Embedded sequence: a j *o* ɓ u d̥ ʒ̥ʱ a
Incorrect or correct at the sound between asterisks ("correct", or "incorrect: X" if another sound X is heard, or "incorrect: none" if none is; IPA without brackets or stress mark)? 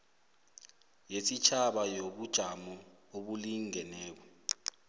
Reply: correct